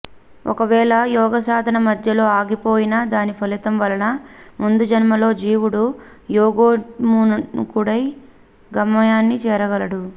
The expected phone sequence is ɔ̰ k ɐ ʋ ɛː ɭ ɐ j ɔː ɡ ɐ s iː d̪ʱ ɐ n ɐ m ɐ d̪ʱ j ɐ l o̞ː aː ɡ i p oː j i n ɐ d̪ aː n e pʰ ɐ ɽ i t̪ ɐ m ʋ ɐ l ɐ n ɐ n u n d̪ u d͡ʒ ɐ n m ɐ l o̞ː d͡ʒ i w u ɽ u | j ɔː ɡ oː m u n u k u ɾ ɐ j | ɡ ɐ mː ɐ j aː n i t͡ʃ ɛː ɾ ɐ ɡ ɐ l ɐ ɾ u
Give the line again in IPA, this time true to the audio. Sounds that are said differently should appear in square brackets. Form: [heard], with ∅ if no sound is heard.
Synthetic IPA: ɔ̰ k ɐ ʋ ɛː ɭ ɐ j ɔː ɡ ɐ s [aː] d̪ʱ ɐ n ɐ m ɐ d̪ʱ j ɐ l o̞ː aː ɡ i p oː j i n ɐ d̪ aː n [i] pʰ ɐ [l] i t̪ ɐ m ʋ ɐ l ɐ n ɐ [m] u n d̪ u d͡ʒ ɐ n m ɐ l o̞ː d͡ʒ [iː] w u ɽ u | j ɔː ɡ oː m u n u k u [ɽ] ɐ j | ɡ ɐ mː ɐ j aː [nː] i t͡ʃ ɛː ɾ ɐ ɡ ɐ l ɐ [ɽ] u